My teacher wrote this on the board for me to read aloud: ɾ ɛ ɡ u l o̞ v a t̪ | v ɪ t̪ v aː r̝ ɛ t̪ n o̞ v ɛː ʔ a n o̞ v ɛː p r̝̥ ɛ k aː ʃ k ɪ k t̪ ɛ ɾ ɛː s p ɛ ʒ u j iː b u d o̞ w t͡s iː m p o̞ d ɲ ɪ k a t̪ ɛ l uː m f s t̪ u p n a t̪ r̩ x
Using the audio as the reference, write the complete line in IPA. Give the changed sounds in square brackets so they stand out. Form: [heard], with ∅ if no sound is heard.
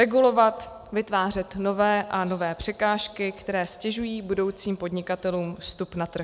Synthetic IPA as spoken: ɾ ɛ ɡ u l o̞ v a t̪ | v ɪ t̪ v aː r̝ ɛ t̪ n o̞ v ɛː ʔ a n o̞ v ɛː p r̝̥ ɛ k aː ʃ k ɪ k t̪ ɛ ɾ ɛː s [c] ɛ ʒ u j iː b u d o̞ w t͡s iː m p o̞ d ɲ ɪ k a t̪ ɛ l uː m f s t̪ u p n a t̪ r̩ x